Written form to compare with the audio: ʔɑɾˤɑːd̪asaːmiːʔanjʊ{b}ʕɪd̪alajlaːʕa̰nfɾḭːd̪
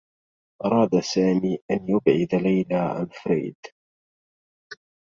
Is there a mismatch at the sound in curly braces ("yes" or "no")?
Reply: no